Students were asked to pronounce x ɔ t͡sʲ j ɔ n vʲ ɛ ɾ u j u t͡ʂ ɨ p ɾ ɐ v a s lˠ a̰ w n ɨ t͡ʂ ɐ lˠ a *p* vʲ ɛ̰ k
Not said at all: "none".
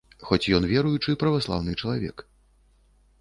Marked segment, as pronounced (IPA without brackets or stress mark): none